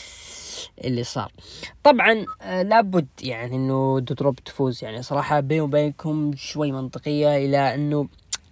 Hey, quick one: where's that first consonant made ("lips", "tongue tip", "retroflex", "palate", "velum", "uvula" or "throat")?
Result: throat